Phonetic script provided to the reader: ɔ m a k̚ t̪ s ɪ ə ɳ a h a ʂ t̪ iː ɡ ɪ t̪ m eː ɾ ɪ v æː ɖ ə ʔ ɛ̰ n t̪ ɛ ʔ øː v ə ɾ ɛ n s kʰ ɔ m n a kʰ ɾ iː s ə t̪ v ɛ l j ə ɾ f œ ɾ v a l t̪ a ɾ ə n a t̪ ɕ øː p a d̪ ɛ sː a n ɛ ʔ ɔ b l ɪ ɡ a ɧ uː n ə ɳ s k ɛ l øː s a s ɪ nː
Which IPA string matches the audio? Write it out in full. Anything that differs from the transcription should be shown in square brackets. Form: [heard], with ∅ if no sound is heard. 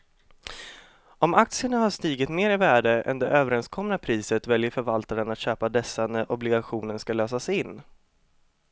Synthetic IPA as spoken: ɔ m a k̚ t̪ s ɪ ə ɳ a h a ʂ t̪ iː ɡ ɪ t̪ m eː ɾ ɪ v æː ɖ ə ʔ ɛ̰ n [d̪] ɛ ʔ øː v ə ɾ ɛ n s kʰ ɔ m n a [pʰ] ɾ iː s ə t̪ v ɛ l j ə ɾ f œ ɾ v a l t̪ a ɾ ə n a t̪ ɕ øː p a d̪ ɛ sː a n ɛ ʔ ɔ b l ɪ ɡ a ɧ uː n ə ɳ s k [a] l øː s a s ɪ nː

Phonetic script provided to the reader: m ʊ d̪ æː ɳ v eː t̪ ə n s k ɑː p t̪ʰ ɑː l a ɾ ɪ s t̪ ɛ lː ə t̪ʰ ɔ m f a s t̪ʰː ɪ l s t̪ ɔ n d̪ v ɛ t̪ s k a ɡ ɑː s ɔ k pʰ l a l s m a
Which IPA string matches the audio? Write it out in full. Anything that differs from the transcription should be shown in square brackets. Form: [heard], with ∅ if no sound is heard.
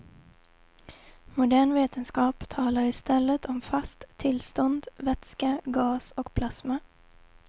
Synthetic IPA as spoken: m ʊ d̪ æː ɳ v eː t̪ ə n s k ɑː p t̪ʰ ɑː l a ɾ ɪ s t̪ ɛ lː ə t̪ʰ ɔ m f a s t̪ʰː ɪ l s t̪ ɔ n d̪ v ɛ t̪ s k a ɡ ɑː s ɔ k pʰ l a [∅] s m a

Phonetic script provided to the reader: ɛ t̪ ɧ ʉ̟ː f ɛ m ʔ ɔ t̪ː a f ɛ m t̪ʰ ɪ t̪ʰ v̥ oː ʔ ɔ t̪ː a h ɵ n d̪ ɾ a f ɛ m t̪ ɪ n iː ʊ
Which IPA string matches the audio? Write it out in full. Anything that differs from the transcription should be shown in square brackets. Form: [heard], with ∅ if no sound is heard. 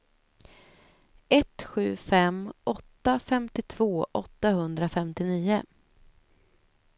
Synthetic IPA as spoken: ɛ t̪ ɧ ʉ̟ː f ɛ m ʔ ɔ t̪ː a f ɛ m [t̪] ɪ t̪ʰ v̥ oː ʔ ɔ t̪ː a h ɵ n d̪ ɾ a f ɛ m t̪ ɪ n iː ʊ

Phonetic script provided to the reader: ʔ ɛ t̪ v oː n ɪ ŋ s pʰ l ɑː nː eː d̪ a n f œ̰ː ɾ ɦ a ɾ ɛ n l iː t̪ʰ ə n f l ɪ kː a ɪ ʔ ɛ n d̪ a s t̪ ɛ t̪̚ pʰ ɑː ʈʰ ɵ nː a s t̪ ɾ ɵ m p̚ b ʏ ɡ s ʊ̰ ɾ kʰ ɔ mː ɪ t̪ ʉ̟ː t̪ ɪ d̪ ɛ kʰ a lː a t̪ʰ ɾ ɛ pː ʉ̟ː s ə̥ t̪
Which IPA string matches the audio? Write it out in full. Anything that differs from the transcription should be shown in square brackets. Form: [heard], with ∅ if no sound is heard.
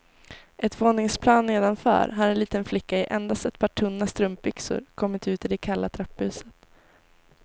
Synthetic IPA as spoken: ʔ ɛ t̪ v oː n ɪ ŋ s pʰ l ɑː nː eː d̪ a n f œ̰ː ɾ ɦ a ɾ ɛ n l iː [t̪] ə n f l ɪ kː a ɪ ʔ ɛ n d̪ a s t̪ ɛ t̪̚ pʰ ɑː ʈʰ ɵ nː a s t̪ ɾ ɵ m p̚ b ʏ [k] s ʊ̰ ɾ kʰ ɔ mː ɪ t̪ ʉ̟ː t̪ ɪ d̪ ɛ kʰ a lː a t̪ʰ ɾ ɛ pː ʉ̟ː s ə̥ t̪

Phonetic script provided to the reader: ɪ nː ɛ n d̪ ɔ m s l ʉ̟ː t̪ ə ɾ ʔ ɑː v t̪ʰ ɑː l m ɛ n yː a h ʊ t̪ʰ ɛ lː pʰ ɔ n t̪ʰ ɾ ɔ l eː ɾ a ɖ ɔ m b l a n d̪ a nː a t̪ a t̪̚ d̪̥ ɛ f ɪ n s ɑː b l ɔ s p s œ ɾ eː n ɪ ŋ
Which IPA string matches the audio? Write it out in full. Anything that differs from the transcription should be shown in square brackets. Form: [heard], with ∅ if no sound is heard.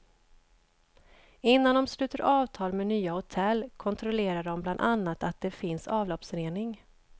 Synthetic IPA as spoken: ɪ nː [a] n d̪ ɔ m s l ʉ̟ː t̪ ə ɾ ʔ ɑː v t̪ʰ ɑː l m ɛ n yː a h ʊ t̪ʰ ɛ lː [kʰ] ɔ n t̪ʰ ɾ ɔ l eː ɾ a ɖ ɔ m b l a n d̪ a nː a t̪ a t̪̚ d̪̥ ɛ f ɪ n s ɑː [v] l ɔ [∅] p s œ ɾ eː n ɪ ŋ

